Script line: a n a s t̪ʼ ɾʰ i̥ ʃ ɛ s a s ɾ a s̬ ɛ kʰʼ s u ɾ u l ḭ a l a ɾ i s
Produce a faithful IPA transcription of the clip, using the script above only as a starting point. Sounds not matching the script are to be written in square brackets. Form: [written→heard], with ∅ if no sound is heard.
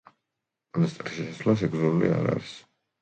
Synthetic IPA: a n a s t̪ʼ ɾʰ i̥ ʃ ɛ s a s [ɾ→l] a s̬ ɛ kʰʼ [s→z] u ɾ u l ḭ a [l→ɾ] a ɾ i s